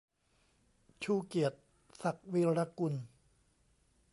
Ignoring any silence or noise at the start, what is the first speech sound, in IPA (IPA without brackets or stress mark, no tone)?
t͡ɕʰ